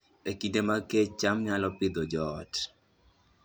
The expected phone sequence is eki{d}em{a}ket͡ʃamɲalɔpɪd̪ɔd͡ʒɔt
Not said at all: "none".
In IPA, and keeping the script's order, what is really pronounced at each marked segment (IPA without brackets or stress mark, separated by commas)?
d, a